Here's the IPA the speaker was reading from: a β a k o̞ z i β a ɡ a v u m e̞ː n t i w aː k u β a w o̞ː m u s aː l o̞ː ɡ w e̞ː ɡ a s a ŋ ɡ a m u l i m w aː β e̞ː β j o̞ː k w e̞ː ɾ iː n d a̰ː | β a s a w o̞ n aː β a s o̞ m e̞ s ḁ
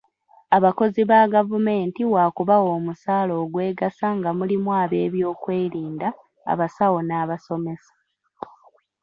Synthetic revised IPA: a β a k o̞ z i β a ɡ a v u m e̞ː n t i w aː k u β a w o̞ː m u s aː l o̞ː ɡ w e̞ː ɡ a s a ŋ ɡ a m u l i m w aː β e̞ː β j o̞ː k w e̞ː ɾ iː n d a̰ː | β a s a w o̞ n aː β a s o̞ m e̞ s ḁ